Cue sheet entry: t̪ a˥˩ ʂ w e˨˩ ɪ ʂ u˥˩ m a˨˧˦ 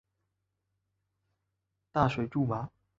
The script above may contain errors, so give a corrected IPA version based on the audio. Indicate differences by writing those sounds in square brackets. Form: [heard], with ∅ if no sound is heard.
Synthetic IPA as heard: t̪ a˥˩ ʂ w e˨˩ ɪ [ʈ͡ʂ] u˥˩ m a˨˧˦